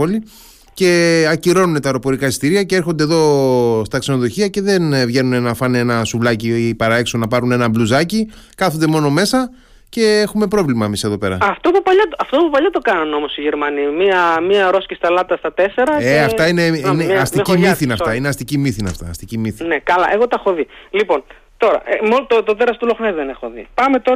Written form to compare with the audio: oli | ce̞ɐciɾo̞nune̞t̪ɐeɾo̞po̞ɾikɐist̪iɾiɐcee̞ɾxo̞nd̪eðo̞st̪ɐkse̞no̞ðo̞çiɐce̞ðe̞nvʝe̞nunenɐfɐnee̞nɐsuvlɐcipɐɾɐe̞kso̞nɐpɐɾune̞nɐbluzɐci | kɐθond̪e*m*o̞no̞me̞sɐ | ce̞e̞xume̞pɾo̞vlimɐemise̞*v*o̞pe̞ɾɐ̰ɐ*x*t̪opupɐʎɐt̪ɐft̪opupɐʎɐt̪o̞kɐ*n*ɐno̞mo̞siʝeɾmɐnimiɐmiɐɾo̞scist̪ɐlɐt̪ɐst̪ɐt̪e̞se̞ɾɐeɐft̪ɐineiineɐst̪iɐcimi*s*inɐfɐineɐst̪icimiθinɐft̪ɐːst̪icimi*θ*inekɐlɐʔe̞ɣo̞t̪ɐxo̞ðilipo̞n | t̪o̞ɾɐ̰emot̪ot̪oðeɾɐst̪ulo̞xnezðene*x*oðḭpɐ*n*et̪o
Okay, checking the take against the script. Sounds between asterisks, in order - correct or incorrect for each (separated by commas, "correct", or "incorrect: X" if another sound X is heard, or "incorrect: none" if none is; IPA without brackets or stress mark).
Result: correct, incorrect: ð, incorrect: f, correct, incorrect: θ, correct, correct, incorrect: m